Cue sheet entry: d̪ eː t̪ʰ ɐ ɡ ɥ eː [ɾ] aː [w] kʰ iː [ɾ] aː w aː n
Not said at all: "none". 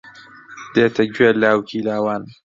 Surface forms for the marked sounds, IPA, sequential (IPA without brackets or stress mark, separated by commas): l, w, l